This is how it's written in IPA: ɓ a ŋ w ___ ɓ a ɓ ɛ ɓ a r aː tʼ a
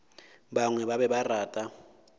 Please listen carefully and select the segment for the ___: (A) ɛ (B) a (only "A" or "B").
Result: A